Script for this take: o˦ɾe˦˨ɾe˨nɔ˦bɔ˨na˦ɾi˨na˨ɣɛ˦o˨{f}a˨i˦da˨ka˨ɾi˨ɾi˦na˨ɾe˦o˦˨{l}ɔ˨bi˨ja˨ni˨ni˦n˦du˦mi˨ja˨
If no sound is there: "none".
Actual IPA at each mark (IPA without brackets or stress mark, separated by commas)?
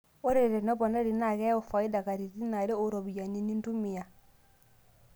f, ɾ